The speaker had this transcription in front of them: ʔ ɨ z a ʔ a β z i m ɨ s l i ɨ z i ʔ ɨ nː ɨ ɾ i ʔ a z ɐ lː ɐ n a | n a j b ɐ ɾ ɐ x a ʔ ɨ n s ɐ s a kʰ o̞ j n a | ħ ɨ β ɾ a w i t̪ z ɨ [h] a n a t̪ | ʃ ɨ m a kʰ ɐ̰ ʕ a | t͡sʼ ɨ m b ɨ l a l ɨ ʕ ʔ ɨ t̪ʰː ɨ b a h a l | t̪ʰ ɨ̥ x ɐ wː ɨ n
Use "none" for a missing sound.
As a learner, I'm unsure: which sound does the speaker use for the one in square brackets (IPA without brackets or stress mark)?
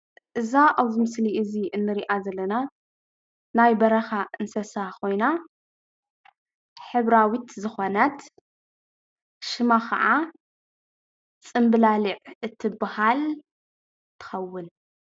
x